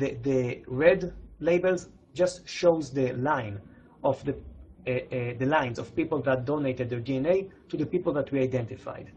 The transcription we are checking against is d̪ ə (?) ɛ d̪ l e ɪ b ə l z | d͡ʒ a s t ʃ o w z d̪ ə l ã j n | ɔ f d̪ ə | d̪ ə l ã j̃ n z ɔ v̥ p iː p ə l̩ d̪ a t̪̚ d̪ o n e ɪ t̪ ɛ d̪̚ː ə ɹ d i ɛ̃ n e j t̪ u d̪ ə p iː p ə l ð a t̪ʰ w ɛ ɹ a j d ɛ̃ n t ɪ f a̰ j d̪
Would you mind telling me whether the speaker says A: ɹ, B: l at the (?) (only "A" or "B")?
A